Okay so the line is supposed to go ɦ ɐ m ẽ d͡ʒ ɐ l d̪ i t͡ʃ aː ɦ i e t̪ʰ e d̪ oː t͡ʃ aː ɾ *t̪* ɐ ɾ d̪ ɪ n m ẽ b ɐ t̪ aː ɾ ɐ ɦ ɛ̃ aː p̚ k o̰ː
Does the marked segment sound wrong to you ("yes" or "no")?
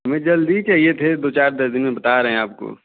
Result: yes